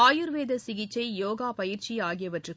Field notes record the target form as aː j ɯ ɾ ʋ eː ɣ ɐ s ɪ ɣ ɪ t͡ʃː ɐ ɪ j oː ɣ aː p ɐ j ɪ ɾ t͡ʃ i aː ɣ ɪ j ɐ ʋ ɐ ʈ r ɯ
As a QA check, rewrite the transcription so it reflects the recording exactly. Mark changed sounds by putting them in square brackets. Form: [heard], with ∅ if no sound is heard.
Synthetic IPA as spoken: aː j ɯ ɾ ʋ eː [ð] ɐ s ɪ ɣ ɪ t͡ʃː ɐ ɪ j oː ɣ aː p ɐ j ɪ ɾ t͡ʃ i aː ɣ ɪ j ɐ ʋ ɐ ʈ r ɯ